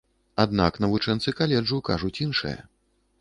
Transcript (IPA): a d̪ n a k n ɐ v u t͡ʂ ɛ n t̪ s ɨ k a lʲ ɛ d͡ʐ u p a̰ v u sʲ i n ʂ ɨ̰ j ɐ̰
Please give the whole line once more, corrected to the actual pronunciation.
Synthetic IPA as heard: a d̪ n a k n ɐ v u t͡ʂ ɛ n t̪ s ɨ k a lʲ ɛ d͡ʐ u k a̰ ʐ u t͡sʲ i n ʂ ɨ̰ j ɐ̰